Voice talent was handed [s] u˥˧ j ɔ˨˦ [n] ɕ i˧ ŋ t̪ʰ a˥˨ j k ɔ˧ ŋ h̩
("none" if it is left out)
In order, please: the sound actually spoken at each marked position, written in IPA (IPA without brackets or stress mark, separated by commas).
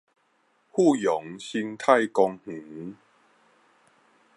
h, ŋ